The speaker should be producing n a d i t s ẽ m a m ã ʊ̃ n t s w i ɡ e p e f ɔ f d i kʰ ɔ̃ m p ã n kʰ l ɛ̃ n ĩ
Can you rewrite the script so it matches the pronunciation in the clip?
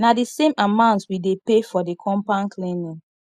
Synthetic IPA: n a d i s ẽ m a m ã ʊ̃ n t s w i d e p e f ɔ d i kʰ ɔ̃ m p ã n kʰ l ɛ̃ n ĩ